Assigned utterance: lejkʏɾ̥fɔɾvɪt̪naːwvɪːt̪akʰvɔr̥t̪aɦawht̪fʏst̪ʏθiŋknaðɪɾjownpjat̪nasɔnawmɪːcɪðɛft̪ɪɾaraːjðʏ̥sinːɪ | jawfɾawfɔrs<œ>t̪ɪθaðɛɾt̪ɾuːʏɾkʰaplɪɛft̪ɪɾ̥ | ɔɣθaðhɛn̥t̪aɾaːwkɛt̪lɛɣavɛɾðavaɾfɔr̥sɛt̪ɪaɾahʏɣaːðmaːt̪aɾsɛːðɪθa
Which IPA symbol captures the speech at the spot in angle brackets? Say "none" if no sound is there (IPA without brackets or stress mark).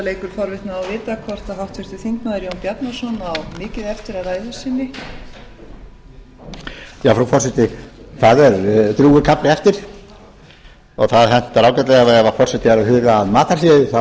ɛ